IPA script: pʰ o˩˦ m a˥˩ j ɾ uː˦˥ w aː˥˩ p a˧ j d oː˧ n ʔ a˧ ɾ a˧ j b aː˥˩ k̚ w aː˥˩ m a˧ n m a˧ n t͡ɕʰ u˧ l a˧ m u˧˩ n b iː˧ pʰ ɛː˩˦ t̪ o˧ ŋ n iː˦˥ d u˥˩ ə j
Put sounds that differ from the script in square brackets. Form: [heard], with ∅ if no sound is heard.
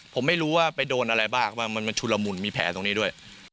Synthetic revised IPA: pʰ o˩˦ m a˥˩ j ɾ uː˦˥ w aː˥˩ p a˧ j d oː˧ n ʔ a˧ ɾ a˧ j b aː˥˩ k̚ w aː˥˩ m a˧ n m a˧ n t͡ɕʰ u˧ l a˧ m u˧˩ n [m] iː˧ pʰ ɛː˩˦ t̪ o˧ ŋ n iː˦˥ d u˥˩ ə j